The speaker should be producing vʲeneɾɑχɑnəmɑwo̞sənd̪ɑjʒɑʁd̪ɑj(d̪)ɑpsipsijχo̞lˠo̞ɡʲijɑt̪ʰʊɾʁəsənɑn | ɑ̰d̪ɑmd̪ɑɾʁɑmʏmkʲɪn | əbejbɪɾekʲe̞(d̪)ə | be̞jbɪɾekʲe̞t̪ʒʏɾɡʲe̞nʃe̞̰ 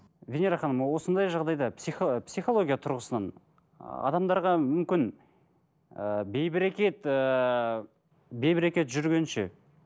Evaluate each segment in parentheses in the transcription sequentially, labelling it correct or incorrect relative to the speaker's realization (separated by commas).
correct, incorrect